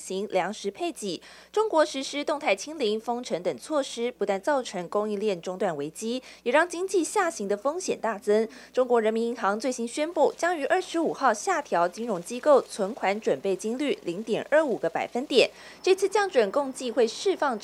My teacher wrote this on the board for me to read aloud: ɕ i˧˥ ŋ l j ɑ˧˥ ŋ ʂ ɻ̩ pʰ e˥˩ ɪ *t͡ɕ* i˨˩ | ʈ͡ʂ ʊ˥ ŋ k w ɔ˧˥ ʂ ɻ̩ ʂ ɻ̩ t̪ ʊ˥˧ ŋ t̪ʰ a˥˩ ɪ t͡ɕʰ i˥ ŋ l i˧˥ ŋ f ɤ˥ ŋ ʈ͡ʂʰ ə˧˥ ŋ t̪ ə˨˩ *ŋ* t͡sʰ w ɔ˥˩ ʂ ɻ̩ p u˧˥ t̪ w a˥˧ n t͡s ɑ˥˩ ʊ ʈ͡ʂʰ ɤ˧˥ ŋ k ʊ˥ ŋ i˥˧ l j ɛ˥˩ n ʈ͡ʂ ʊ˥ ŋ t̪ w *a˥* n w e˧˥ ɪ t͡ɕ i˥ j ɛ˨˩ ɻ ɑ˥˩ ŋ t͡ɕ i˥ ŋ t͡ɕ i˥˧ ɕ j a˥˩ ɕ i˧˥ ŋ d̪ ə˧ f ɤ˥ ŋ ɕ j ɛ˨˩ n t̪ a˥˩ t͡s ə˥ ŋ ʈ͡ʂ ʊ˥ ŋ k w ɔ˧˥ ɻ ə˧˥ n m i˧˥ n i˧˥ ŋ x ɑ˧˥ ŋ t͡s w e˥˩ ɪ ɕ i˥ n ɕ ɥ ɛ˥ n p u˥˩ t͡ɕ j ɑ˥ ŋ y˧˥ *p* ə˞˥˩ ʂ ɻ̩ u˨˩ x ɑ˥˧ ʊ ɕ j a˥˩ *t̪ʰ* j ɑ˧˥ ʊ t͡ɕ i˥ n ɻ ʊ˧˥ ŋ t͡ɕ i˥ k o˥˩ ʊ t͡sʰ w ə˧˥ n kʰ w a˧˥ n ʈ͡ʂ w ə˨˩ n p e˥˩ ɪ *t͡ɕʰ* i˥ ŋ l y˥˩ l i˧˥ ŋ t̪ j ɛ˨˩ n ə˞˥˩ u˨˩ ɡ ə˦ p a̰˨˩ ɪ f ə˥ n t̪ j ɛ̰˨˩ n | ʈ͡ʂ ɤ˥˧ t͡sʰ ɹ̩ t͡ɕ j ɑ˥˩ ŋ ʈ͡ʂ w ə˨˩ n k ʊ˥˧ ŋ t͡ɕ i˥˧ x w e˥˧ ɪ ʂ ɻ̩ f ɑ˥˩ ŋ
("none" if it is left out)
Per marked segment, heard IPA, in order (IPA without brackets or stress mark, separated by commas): t͡ɕ, ŋ, a˥˩, ʔ, t̪ʰ, t͡ɕ